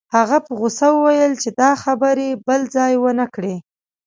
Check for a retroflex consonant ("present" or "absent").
present